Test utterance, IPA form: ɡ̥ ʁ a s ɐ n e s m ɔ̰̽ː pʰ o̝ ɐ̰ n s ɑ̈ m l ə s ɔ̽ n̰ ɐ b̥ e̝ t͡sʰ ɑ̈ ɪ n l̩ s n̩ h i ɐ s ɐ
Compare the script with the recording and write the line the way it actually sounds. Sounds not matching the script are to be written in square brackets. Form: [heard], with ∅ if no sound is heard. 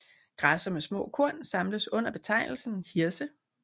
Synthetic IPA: ɡ̥ ʁ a s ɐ [m] e s m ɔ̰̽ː [kʰ] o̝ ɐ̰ n s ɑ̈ m l ə s ɔ̽ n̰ ɐ b̥ e̝ t͡sʰ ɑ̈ ɪ n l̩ s n̩ h i ɐ s [ə]

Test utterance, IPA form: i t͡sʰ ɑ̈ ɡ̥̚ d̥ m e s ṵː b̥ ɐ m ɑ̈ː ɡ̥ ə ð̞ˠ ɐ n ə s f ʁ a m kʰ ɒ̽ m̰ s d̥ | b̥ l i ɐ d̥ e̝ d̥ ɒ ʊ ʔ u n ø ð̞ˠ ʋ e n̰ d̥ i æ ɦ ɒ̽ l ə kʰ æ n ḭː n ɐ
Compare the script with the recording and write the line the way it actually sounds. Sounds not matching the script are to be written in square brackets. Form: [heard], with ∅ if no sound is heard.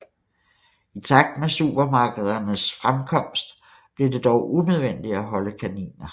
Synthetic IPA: i t͡sʰ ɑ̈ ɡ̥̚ d̥ m e s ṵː b̥ ɐ m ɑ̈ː ɡ̥ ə ð̞ˠ ɐ n ə s f ʁ a m kʰ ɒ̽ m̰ s d̥ | b̥ l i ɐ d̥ e̝ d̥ ɒ ʊ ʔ u n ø ð̞ˠ ʋ e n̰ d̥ i æ ɦ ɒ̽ l ə kʰ æ n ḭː n ɐ

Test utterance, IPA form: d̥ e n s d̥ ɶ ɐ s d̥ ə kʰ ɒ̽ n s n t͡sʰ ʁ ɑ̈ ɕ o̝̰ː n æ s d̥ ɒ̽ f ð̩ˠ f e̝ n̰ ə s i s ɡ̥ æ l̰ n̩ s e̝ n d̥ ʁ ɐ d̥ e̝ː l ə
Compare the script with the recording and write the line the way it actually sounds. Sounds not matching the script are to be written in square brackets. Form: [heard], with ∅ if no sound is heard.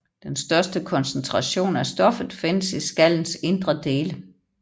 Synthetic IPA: d̥ e n s d̥ ɶ ɐ s d̥ ə kʰ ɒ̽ n s n t͡sʰ ʁ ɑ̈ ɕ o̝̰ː n æ s d̥ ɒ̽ f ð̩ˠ f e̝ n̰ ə s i s ɡ̥ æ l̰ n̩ s e̝ n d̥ ʁ ɐ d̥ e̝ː l ə

